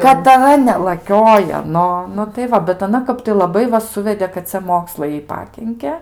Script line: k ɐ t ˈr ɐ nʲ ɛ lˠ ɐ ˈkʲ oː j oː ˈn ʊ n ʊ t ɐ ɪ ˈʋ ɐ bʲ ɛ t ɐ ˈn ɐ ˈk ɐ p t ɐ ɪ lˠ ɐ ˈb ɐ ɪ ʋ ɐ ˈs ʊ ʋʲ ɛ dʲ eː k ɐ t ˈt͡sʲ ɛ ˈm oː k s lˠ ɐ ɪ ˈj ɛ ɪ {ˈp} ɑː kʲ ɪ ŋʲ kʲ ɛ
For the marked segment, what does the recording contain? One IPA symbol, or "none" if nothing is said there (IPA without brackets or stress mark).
p